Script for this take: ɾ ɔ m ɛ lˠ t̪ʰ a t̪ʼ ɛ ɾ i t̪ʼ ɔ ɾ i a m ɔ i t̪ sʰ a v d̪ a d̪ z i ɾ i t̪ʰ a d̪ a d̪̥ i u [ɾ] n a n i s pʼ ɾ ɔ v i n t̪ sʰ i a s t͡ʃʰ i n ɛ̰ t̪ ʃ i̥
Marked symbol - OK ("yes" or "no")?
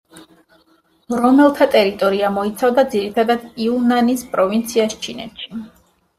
no